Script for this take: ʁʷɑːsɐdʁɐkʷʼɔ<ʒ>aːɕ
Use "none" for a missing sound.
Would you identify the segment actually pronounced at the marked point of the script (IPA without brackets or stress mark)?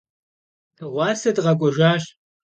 ʒ